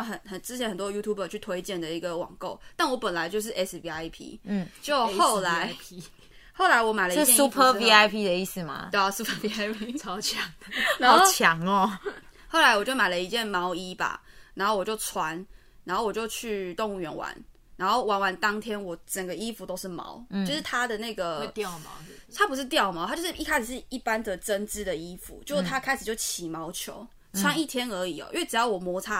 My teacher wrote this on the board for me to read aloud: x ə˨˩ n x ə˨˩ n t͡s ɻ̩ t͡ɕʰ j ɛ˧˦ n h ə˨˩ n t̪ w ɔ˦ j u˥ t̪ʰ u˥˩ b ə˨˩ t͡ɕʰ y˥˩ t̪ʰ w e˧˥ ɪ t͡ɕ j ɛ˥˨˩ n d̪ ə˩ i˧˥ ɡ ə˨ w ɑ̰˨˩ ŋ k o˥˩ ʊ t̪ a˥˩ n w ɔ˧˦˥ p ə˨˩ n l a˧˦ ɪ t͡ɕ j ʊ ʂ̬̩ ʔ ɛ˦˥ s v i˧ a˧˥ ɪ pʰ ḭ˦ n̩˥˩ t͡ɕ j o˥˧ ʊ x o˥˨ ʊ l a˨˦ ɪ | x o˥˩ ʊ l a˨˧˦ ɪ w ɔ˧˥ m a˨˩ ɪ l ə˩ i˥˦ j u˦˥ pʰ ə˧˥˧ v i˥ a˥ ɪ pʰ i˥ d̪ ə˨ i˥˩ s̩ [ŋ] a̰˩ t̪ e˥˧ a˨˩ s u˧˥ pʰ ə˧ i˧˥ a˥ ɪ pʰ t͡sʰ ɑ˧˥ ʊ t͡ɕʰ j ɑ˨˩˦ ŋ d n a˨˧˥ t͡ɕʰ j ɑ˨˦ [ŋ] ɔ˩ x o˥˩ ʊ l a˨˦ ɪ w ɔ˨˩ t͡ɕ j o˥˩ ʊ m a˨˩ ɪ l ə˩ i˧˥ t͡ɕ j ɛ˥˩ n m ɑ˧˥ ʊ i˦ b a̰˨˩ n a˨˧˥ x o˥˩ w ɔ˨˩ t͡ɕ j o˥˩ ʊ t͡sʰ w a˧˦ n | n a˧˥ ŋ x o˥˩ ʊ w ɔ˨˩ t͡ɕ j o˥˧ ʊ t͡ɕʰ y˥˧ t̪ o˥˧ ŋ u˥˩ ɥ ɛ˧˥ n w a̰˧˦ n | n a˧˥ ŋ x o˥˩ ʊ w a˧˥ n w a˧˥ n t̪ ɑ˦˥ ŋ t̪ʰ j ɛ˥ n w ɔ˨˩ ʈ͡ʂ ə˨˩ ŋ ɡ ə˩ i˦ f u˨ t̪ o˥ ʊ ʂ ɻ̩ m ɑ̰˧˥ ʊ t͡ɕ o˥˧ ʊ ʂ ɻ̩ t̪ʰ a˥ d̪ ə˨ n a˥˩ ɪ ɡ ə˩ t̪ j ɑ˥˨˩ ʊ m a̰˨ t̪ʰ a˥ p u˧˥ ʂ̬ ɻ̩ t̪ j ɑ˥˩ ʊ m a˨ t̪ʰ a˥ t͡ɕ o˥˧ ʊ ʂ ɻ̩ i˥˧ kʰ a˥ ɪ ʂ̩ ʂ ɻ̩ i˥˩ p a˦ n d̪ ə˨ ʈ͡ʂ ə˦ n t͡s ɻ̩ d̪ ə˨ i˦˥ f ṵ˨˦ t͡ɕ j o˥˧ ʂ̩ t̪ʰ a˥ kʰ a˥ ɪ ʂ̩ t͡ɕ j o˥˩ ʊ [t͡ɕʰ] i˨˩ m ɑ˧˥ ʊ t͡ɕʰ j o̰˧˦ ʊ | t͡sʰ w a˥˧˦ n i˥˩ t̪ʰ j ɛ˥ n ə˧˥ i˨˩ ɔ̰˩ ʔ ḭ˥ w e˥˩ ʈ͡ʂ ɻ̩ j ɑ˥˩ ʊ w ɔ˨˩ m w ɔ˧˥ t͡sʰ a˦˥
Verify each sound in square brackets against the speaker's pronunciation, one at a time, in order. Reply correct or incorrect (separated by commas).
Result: incorrect, correct, correct